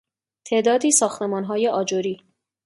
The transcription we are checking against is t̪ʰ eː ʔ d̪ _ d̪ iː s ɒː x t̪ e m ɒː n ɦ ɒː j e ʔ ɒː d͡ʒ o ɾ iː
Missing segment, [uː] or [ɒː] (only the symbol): ɒː